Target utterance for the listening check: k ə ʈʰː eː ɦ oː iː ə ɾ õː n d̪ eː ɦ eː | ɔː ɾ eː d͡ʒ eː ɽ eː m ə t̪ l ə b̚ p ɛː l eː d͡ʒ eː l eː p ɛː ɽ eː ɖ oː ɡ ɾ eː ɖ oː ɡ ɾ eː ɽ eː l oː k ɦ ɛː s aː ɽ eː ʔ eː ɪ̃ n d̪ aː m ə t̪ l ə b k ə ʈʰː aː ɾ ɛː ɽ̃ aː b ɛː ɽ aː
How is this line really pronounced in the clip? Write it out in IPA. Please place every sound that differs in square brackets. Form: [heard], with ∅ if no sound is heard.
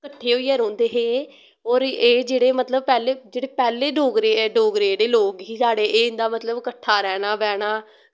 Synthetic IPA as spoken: k ə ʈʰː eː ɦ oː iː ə ɾ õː n d̪ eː ɦ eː | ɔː ɾ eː d͡ʒ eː ɽ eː m ə t̪ l ə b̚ p ɛː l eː d͡ʒ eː [ɽ] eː p ɛː [l] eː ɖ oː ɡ ɾ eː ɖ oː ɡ ɾ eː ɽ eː l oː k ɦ [iː] s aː ɽ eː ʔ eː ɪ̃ n d̪ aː m ə t̪ l ə b k ə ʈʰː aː ɾ ɛː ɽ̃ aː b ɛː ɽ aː